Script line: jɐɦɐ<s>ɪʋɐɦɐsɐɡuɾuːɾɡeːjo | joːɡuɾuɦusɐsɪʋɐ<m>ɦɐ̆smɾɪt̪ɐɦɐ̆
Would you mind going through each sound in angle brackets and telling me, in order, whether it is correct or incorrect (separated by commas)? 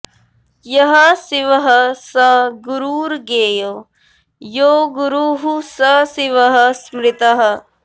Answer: correct, incorrect